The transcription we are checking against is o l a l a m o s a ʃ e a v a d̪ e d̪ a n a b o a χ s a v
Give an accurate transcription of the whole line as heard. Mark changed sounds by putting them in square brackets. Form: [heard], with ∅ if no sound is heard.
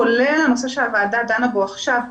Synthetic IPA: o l [e] l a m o s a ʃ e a v a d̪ [a] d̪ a n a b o a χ [ʃ] a v